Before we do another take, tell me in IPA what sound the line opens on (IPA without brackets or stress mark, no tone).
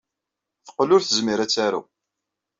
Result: θ